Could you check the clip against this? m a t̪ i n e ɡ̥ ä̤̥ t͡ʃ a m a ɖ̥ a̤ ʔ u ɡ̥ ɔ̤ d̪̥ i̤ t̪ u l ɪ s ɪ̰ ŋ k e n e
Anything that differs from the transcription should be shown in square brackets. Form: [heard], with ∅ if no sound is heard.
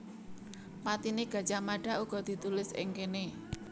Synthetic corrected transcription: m a t̪ i n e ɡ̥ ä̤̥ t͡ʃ a m a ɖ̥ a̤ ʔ u ɡ̥ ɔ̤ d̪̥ i̤ t̪ u l ɪ s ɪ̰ ŋ k e n e

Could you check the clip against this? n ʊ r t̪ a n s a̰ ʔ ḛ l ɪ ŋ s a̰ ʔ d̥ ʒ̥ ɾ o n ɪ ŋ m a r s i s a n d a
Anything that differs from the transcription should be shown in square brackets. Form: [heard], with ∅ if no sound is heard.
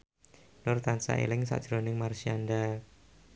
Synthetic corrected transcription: n ʊ r t̪ a n s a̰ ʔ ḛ l ɪ ŋ s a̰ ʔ d̥ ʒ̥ ɾ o n ɪ ŋ m a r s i [∅] a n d a

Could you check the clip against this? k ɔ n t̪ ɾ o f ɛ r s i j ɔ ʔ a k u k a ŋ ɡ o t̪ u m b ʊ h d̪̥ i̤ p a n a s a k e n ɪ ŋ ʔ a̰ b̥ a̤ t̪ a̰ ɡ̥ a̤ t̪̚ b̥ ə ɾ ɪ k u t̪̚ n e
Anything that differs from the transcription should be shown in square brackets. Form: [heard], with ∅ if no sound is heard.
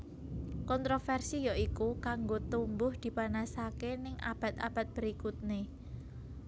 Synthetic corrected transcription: k ɔ n t̪ ɾ o f ɛ r s i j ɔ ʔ [i] k u k a ŋ ɡ o t̪ u m b ʊ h d̪̥ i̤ p a n a s a k e n ɪ ŋ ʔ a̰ b̥ a̤ t̪ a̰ [b̥] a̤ t̪̚ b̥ ə ɾ [i] k u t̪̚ n e

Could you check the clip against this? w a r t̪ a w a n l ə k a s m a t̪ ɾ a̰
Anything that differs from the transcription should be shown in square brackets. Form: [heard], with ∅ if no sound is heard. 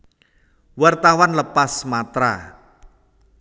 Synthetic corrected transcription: w a r t̪ a w a n l ə [p] a s m a t̪ ɾ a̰

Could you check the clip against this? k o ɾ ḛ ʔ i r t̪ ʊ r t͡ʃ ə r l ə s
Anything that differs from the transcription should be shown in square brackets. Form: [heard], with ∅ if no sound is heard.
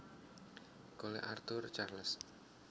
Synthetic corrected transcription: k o [l] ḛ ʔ [a] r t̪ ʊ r t͡ʃ [a] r l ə s

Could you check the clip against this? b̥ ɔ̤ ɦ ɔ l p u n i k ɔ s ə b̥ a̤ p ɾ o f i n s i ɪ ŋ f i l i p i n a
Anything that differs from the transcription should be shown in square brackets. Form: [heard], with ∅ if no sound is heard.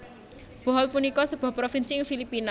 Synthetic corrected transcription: b̥ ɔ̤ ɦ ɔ l p u n i k ɔ s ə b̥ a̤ p ɾ o f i n s i ɪ ŋ f i l i p i n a

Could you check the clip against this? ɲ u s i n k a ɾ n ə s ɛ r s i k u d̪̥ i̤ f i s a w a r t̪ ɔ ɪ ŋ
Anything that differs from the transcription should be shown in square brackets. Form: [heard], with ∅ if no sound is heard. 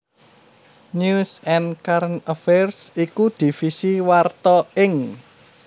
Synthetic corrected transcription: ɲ u s [ɛ] n k a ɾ n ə [f] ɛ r s i k u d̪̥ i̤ f i s [i] w a r t̪ ɔ ɪ ŋ

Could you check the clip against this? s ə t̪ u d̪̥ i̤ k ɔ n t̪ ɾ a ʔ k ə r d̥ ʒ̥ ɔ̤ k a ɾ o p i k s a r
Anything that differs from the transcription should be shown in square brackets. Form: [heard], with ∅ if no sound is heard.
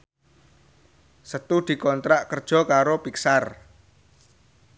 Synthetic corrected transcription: s ə t̪ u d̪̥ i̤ k ɔ n t̪ ɾ a ʔ k ə r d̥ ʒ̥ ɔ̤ k a ɾ o p i k s a r

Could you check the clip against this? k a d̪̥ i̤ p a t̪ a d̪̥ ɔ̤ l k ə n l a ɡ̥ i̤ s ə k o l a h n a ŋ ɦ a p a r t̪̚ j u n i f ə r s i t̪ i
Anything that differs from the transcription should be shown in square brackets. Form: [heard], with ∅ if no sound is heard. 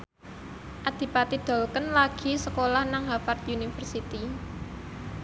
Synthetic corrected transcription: [ʔ] a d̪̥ i̤ p a t̪ [i] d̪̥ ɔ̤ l k ə n l a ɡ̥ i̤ s ə k o l a h n a ŋ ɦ a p a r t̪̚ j u n i f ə r s i t̪ i

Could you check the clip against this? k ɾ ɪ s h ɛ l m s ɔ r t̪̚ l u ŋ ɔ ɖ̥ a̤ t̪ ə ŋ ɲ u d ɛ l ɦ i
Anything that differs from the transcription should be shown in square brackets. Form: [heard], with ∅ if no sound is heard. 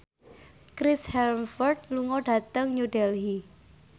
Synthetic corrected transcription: k ɾ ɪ s h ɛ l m [f] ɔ r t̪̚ l u ŋ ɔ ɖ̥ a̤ t̪ ə ŋ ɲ u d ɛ l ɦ i

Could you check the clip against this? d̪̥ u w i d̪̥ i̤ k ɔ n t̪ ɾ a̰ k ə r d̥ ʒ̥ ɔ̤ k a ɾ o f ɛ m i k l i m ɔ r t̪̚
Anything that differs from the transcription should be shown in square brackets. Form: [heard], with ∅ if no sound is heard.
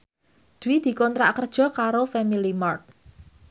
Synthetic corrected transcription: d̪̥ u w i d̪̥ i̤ k ɔ n t̪ ɾ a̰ k ə r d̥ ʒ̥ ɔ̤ k a ɾ o f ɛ m i [∅] l i m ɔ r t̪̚

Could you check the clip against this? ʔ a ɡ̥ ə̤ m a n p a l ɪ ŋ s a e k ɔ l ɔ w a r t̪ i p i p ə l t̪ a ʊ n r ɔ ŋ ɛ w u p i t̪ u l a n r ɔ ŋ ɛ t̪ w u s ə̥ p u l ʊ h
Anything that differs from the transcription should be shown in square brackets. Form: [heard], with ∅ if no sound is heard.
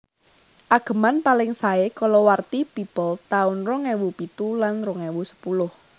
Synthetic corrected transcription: ʔ a ɡ̥ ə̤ m a n p a l ɪ ŋ s a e k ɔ l ɔ w a r t̪ i p i p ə l t̪ a ʊ n r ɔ ŋ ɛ w u p i t̪ u l a n r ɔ ŋ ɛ [∅] w u s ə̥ p u l ʊ h

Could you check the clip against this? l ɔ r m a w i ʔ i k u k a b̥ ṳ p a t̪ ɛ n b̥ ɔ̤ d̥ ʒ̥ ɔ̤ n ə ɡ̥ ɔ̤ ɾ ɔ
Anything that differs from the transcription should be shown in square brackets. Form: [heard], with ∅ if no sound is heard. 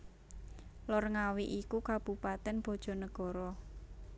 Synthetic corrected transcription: l ɔ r [ŋ] a w i ʔ i k u k a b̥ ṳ p a t̪ ɛ n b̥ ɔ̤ d̥ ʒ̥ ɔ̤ n ə ɡ̥ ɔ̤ ɾ ɔ

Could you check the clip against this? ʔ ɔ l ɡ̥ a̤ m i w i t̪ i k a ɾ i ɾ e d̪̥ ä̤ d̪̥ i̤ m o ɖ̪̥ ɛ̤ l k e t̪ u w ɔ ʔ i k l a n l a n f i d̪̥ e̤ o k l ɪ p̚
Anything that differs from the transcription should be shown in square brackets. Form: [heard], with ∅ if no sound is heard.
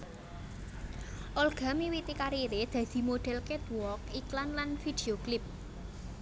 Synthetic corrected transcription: ʔ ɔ l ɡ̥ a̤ m i w i t̪ i k a ɾ i ɾ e d̪̥ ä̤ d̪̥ i̤ m o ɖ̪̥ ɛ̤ l k e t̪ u w ɔ [k] i k l a n l a n f i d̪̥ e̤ o k l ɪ p̚

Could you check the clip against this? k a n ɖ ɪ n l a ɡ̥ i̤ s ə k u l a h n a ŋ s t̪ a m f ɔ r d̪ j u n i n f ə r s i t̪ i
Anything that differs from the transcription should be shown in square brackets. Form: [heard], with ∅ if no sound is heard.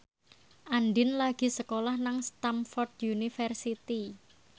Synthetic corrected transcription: [ʔ] a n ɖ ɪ n l a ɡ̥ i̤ s ə k [o] l a h n a ŋ s t̪ a m f ɔ r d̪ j u n i [∅] f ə r s i t̪ i

